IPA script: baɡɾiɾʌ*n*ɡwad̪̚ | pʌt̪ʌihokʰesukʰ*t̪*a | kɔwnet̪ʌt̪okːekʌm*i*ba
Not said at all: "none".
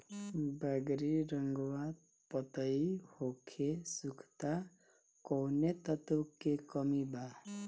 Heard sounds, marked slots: ŋ, t̪, i

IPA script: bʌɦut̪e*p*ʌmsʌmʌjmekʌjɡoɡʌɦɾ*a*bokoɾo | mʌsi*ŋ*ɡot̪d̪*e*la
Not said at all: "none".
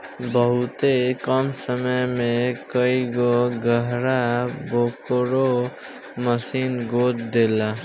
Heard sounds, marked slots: k, a, n, e

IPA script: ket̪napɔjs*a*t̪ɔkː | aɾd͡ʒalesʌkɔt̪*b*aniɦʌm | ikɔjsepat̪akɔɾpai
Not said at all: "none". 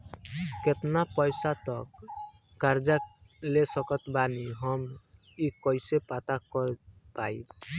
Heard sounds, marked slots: a, b

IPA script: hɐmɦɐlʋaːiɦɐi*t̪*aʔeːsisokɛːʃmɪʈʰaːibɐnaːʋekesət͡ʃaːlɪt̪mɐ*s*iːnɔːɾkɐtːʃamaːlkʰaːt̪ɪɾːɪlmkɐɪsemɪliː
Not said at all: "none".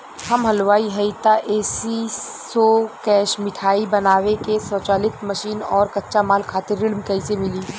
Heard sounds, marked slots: t̪, ʃ

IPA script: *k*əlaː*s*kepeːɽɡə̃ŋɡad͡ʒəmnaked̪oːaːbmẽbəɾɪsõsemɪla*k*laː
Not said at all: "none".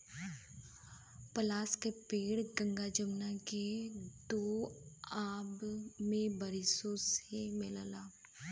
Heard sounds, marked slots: p, s, none

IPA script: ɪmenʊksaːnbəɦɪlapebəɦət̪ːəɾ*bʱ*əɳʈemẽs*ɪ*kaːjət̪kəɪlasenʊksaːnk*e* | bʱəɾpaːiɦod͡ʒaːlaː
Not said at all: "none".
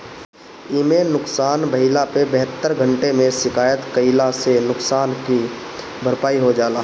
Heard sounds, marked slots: ɡʱ, ɪ, i

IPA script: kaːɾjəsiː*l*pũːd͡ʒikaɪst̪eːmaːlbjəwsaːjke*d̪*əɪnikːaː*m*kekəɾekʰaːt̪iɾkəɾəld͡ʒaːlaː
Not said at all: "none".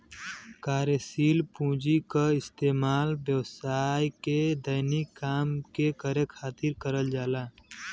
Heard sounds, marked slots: l, d̪, m

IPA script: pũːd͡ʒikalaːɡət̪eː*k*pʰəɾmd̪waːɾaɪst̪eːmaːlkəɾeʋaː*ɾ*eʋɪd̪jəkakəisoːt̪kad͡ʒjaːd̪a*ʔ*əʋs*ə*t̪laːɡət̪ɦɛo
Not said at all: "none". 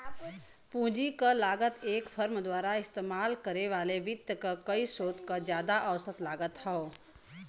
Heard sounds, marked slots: k, l, ʔ, ə

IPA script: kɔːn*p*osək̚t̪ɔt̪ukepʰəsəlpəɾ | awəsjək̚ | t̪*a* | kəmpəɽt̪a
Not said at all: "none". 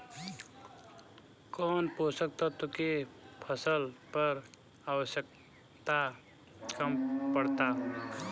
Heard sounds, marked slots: p, a

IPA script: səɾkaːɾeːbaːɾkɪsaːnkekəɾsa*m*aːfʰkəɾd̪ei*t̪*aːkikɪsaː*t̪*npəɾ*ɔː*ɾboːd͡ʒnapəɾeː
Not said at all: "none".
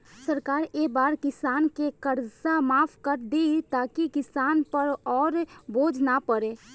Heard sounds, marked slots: m, t̪, none, ɔː

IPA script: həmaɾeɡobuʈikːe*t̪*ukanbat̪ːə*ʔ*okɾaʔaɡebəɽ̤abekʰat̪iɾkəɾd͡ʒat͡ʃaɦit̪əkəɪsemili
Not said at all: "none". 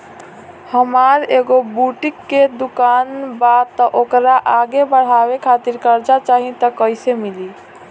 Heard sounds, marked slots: d̪, ʔ

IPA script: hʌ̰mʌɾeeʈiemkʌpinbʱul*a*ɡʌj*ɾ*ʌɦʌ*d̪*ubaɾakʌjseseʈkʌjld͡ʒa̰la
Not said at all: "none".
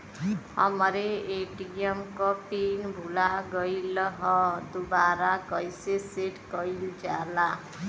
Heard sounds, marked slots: a, l, d̪

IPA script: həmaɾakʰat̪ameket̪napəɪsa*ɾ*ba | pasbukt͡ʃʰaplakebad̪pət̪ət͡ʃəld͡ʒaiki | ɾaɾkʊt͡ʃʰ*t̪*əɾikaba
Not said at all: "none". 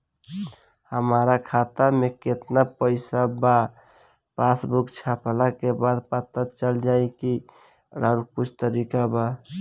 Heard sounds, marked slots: none, t̪

